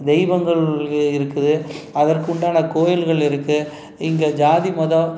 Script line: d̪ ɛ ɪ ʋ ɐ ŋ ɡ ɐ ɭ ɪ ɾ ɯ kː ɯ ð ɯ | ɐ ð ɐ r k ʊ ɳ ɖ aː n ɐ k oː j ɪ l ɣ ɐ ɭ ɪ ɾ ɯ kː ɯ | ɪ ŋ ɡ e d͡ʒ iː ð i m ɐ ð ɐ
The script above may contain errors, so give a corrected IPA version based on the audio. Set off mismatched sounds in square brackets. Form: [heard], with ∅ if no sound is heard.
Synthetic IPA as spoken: d̪ ɛ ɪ ʋ ɐ ŋ ɡ ɐ ɭ ɪ ɾ ɯ kː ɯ ð ɯ | ɐ ð ɐ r k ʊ ɳ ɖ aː n ɐ k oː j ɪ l ɣ ɐ ɭ ɪ ɾ ɯ kː ɯ | ɪ ŋ ɡ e d͡ʒ [aː] ð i m ɐ ð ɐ